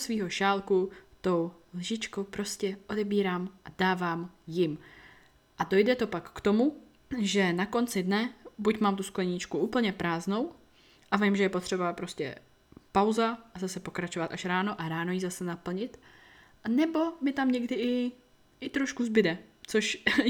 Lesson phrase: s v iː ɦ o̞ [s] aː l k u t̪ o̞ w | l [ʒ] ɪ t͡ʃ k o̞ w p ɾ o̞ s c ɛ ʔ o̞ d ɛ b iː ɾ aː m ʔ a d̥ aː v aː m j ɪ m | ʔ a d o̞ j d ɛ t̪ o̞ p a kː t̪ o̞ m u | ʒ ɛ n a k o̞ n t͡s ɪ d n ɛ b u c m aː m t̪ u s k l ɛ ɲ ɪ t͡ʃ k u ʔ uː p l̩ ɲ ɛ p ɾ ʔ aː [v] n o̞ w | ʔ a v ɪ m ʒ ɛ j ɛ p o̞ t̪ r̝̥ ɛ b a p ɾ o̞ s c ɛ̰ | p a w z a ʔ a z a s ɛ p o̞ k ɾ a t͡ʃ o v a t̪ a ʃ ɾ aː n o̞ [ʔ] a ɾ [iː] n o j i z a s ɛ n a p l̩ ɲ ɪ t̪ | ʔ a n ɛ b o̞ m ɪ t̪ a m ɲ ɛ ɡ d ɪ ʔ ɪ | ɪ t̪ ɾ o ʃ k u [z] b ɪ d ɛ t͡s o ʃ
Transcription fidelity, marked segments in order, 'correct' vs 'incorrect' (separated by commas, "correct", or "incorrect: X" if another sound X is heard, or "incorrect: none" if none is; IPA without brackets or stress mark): incorrect: ʃ, correct, incorrect: z, correct, incorrect: aː, correct